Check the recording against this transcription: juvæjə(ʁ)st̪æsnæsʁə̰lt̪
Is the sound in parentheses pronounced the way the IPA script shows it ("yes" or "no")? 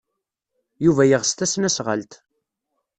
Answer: yes